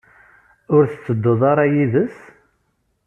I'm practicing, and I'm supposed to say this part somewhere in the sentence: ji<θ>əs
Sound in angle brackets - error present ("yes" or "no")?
yes